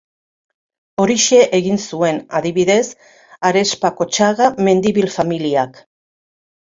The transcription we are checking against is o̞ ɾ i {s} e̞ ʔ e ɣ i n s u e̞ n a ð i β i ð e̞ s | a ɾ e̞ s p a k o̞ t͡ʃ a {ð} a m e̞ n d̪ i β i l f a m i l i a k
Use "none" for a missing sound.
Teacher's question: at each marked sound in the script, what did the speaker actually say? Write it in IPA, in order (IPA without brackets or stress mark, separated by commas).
ʃ, ɣ